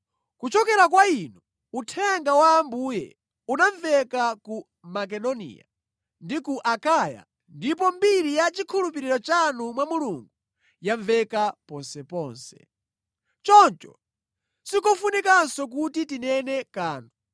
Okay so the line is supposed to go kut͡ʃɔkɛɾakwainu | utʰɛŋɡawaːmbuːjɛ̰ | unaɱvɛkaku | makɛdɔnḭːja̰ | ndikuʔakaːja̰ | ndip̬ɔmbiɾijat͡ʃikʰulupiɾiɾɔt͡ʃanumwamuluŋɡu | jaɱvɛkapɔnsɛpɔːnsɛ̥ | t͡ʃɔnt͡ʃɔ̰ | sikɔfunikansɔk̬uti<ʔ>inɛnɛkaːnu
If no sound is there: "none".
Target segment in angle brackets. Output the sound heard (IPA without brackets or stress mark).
t